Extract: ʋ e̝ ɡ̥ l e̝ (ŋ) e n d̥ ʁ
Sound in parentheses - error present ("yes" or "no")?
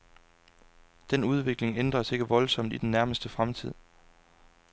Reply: no